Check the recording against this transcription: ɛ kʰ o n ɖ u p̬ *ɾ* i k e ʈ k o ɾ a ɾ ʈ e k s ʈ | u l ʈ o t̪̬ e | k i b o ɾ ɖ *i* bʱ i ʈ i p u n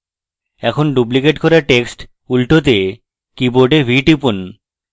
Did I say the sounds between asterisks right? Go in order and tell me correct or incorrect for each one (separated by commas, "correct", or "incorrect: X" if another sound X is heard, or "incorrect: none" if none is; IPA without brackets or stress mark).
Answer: incorrect: l, incorrect: e